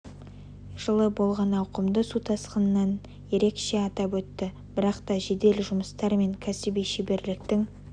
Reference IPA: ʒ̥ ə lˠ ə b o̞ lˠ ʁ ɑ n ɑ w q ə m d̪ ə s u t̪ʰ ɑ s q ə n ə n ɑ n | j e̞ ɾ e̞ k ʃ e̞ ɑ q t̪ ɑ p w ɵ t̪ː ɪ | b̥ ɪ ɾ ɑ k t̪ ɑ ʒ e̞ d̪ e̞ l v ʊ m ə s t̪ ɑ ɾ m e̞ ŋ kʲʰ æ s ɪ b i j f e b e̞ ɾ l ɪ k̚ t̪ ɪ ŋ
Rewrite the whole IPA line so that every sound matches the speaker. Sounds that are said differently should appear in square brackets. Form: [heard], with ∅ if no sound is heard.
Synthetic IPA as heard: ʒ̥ ə lˠ ə b o̞ lˠ ʁ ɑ n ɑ w q ə m d̪ ə s u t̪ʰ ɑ s q ə n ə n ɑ n | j e̞ ɾ e̞ k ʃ e̞ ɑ [∅] t̪ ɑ p w ɵ t̪ː ɪ | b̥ ɪ ɾ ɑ [q] t̪ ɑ ʒ e̞ d̪ e̞ l [ʒ] ʊ m ə s t̪ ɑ ɾ m e̞ ŋ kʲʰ æ s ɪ b i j [ʃ] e b e̞ ɾ l ɪ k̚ t̪ ɪ ŋ

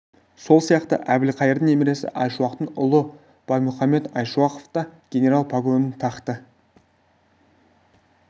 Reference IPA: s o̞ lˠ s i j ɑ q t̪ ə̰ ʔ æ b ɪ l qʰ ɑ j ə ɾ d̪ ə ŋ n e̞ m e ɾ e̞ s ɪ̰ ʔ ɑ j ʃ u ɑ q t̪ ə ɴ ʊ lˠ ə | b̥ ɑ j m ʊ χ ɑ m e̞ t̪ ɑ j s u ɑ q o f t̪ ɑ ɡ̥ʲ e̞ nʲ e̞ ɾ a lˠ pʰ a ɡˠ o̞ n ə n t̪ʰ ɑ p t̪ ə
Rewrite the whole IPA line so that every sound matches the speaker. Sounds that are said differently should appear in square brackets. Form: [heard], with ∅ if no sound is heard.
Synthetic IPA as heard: s o̞ lˠ s i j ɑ q t̪ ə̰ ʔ æ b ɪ l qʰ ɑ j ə ɾ d̪ ə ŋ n e̞ m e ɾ e̞ s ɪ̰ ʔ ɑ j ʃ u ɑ q t̪ ə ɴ ʊ lˠ ə | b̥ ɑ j m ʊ χ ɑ m e̞ t̪ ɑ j [ʃ] u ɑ q o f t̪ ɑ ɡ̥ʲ e̞ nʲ e̞ ɾ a lˠ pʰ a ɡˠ o̞ n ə n t̪ʰ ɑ [q] t̪ ə

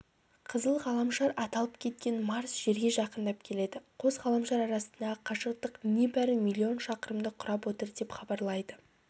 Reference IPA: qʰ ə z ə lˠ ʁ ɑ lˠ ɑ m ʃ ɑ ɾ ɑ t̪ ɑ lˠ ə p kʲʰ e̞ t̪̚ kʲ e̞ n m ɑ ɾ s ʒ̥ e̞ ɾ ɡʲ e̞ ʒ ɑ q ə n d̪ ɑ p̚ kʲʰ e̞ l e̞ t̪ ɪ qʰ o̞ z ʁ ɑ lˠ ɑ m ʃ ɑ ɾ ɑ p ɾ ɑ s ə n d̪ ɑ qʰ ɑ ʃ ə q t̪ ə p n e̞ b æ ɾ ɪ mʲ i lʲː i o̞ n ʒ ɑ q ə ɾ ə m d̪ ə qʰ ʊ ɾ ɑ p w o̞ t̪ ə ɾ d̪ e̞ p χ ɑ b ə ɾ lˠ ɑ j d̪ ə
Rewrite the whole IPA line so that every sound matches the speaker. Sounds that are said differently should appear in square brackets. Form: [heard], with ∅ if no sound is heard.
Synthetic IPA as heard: qʰ ə z ə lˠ ʁ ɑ lˠ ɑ m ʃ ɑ ɾ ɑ t̪ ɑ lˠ ə p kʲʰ e̞ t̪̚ kʲ e̞ n m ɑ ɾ s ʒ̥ e̞ ɾ ɡʲ e̞ ʒ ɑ q ə n d̪ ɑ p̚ kʲʰ e̞ l e̞ [d̪] ɪ qʰ o̞ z ʁ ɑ lˠ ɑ m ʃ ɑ ɾ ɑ [∅] ɾ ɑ s ə n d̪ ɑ qʰ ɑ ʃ ə q t̪ ə [q] n e̞ b æ ɾ ɪ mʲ i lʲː i o̞ n [ʃ] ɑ q ə ɾ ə m d̪ ə qʰ ʊ ɾ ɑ p w o̞ t̪ ə ɾ d̪ e̞ p χ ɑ b [ɑ] ɾ lˠ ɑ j d̪ ə

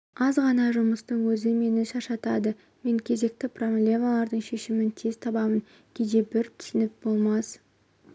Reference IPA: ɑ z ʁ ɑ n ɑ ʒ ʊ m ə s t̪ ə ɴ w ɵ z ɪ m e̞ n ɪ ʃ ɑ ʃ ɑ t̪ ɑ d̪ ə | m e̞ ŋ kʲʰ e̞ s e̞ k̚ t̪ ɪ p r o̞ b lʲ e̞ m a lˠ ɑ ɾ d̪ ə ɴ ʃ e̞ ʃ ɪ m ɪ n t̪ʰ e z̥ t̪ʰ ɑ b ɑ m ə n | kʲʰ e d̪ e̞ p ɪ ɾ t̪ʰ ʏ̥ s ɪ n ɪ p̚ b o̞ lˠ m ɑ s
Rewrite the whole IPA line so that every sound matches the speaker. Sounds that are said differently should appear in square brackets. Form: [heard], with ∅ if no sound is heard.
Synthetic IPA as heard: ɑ z ʁ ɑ n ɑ ʒ ʊ m ə s t̪ ə ɴ w ɵ z ɪ m e̞ n ɪ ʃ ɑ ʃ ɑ t̪ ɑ d̪ ə | m e̞ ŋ kʲʰ e̞ [z] e̞ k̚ t̪ ɪ p r o̞ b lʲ e̞ m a lˠ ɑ ɾ d̪ ə ɴ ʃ e̞ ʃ ɪ m ɪ n t̪ʰ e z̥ t̪ʰ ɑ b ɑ m ə n | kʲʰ e d̪ e̞ [b] ɪ ɾ t̪ʰ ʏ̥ s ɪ n ɪ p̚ b o̞ lˠ m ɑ s

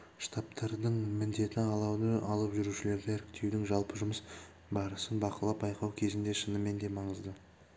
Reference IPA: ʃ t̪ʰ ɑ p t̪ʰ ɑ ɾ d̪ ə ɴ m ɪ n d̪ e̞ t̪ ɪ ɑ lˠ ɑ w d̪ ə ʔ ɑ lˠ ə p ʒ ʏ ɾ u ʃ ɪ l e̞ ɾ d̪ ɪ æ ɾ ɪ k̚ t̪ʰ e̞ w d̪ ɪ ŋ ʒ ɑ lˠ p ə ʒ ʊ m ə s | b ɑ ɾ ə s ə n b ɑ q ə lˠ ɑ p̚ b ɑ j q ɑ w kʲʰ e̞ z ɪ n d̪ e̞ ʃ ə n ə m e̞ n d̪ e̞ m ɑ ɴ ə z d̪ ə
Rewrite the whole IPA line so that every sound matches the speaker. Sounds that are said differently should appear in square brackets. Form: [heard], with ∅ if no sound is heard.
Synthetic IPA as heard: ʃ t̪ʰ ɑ p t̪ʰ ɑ ɾ d̪ ə ɴ m ɪ n d̪ e̞ t̪ ɪ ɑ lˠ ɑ w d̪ ə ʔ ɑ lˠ ə p ʒ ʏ ɾ u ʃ ɪ l e̞ ɾ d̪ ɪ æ ɾ ɪ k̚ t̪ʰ e̞ w d̪ ɪ ŋ ʒ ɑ lˠ p ə ʒ ʊ m ə s | b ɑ ɾ ə s ə n b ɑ q ə lˠ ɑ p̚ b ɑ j q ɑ w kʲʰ e̞ z ɪ n d̪ e̞ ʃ ə n ə m e̞ n d̪ e̞ m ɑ ɴ ə z d̪ ə

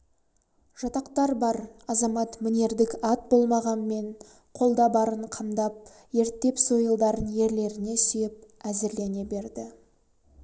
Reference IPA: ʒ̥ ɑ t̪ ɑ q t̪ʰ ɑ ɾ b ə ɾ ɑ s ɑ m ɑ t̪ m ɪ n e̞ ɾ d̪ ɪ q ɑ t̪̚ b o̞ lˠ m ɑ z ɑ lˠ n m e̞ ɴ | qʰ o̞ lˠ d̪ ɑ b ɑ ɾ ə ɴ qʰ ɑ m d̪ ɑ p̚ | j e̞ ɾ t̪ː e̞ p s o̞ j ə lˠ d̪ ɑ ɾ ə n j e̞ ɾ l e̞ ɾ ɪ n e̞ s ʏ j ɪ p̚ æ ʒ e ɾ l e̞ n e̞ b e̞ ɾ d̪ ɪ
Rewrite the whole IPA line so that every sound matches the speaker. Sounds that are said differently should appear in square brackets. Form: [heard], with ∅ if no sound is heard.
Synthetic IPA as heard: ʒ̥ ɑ t̪ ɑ q [t̪] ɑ ɾ b [ɑ] ɾ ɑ [z] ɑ m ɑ t̪ m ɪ n e̞ ɾ d̪ ɪ [k] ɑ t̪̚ b o̞ lˠ m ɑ [ʁ] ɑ [∅] n m e̞ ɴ | qʰ o̞ lˠ d̪ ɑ b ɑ ɾ ə ɴ qʰ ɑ m d̪ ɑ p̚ | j e̞ ɾ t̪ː e̞ p s o̞ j ə lˠ d̪ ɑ ɾ ə n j e̞ ɾ l e̞ ɾ ɪ n e̞ s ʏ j ɪ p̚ æ [z] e ɾ l e̞ n e̞ b e̞ ɾ d̪ ɪ

